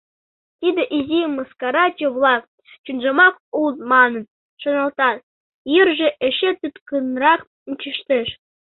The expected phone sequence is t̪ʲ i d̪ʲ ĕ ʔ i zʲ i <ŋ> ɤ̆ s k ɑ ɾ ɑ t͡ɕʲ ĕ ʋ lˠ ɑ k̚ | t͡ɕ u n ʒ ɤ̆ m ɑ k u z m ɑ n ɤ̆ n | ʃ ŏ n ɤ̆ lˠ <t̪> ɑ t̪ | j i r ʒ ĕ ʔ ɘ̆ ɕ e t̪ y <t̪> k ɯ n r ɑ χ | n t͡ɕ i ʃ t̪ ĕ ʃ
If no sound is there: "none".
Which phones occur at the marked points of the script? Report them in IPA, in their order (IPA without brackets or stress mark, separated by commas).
m, t̪, t̪